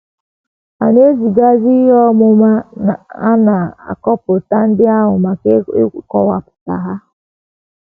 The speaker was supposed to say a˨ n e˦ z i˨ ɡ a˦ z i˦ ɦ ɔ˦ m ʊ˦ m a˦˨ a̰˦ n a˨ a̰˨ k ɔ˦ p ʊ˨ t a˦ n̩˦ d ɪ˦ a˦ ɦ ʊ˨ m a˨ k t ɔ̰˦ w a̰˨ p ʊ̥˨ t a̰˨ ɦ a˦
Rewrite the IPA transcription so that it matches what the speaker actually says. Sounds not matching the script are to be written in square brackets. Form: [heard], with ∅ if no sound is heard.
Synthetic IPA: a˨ n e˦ z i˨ ɡ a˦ z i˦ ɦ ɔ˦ m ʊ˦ m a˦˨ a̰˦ n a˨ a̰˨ k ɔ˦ p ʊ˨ t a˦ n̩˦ d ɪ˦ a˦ ɦ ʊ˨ m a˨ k [k] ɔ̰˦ w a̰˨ p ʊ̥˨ t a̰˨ ɦ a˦